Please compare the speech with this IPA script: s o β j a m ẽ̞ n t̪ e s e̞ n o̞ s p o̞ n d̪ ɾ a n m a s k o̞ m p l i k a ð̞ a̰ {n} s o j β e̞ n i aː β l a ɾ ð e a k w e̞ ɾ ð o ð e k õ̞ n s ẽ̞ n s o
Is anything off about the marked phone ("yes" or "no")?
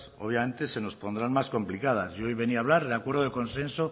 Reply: yes